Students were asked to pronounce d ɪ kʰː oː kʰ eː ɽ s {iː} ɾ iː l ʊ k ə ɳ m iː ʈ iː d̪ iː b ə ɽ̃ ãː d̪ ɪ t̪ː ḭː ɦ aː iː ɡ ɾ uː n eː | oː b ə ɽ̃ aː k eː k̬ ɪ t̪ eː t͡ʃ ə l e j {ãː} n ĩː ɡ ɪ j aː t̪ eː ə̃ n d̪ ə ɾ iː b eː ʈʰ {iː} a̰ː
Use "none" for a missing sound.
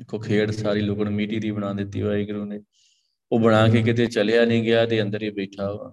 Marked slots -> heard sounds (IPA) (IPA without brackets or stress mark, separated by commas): aː, aː, aː